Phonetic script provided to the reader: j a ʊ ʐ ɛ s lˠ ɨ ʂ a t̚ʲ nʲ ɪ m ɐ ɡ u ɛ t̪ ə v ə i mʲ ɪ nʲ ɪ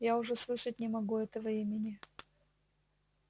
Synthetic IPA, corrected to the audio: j a ʊ ʐ ɛ s lˠ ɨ ʂ ə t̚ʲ nʲ ɪ m ɐ ɡ u ɛ t̪ ə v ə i mʲ ɪ nʲ ɪ